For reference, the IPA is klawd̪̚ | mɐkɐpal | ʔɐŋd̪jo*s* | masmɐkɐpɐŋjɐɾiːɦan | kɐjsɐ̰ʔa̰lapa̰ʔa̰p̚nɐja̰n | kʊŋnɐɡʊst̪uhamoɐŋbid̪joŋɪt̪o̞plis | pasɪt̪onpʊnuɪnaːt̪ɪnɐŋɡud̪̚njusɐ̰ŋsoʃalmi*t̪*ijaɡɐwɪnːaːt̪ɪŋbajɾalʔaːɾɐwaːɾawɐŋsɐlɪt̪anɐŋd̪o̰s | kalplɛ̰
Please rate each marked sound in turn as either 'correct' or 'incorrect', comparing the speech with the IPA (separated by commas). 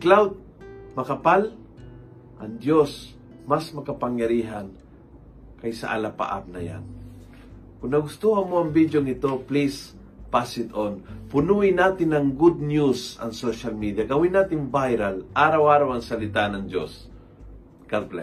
correct, incorrect